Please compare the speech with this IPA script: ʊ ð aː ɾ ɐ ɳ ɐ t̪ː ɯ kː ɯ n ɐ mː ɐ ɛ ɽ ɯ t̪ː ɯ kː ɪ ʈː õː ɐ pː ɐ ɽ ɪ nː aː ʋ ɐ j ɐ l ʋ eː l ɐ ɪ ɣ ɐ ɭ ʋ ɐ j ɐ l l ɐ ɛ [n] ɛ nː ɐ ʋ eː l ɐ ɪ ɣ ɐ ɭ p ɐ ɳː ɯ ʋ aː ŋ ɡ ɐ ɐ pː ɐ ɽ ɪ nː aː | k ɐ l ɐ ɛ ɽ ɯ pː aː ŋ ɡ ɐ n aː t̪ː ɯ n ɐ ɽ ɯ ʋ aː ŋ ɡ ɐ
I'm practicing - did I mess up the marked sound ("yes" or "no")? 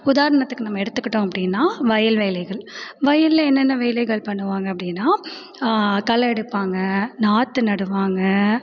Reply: yes